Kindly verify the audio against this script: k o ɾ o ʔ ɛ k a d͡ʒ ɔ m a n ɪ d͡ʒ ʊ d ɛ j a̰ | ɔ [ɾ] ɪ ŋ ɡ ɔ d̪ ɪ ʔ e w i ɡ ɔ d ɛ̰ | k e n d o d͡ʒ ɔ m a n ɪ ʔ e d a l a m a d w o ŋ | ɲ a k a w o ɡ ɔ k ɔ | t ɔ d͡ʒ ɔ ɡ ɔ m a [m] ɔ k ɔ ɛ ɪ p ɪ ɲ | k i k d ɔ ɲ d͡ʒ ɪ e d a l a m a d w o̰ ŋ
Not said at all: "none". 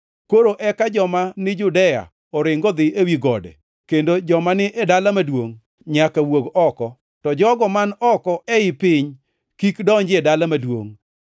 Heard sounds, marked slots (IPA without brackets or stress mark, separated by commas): ɾ, n